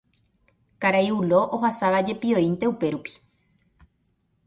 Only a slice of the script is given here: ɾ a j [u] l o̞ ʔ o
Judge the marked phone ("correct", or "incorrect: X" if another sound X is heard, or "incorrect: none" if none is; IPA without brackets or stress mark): correct